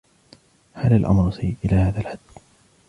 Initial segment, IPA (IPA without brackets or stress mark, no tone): h